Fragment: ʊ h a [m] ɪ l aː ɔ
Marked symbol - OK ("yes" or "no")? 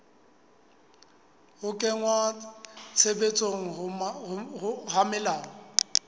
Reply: yes